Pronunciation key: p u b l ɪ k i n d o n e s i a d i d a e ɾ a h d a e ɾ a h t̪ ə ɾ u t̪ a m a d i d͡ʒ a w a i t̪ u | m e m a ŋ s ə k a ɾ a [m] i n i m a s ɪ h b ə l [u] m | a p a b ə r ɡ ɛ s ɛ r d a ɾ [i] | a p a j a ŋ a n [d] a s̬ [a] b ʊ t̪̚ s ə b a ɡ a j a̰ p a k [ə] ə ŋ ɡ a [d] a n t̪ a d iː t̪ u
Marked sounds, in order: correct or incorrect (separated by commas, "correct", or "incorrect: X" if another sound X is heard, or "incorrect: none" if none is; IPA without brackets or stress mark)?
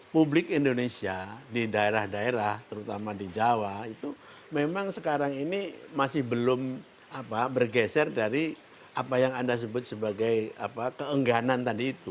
incorrect: ŋ, incorrect: ʊ, correct, correct, incorrect: ə, correct, incorrect: n